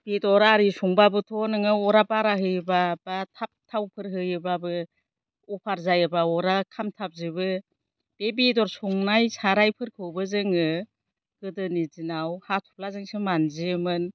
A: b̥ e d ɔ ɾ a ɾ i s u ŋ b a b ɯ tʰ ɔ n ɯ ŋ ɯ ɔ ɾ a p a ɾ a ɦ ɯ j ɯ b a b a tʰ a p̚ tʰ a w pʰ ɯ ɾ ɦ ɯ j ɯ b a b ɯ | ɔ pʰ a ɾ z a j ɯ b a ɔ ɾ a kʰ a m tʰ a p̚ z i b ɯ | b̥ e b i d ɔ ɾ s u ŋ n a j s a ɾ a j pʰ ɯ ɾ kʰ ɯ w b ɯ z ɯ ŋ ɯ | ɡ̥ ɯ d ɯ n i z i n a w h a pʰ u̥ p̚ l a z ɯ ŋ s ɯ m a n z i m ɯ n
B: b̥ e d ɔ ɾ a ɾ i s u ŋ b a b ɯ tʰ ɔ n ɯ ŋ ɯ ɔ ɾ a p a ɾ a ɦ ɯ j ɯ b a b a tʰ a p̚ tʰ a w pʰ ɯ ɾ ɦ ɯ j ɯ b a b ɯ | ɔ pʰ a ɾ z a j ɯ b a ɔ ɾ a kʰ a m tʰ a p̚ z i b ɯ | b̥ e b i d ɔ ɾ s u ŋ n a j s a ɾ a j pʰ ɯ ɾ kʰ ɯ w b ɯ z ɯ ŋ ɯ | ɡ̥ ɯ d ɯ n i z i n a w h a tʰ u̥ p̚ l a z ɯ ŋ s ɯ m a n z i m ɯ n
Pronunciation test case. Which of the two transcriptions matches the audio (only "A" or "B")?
B